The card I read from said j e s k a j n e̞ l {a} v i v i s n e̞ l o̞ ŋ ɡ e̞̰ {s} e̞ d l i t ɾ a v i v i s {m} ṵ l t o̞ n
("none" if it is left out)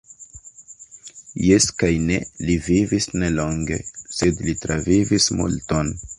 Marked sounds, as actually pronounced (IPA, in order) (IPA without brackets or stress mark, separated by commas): i, s, m